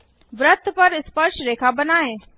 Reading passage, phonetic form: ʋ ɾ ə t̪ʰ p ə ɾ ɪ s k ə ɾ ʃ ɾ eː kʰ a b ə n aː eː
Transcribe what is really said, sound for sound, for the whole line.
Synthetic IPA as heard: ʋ ɾ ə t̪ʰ p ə ɾ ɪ s p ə ɾ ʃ ɾ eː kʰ a b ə n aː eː